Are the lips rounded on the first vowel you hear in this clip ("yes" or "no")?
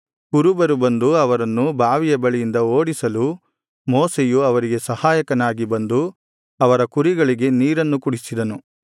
yes